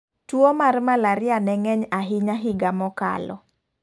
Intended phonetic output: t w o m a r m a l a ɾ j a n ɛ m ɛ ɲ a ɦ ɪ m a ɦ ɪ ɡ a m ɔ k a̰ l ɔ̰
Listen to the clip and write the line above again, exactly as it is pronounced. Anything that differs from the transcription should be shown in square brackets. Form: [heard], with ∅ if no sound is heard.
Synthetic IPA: t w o m a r m a l a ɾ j a n ɛ [ŋ] ɛ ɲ a ɦ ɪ [ɲ] a ɦ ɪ ɡ a m ɔ k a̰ l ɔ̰